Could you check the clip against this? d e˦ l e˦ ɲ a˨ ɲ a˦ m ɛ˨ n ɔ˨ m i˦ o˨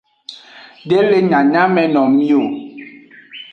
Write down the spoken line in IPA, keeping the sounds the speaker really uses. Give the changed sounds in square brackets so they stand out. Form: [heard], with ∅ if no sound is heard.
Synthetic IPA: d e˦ l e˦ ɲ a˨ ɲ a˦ m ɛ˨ n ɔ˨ m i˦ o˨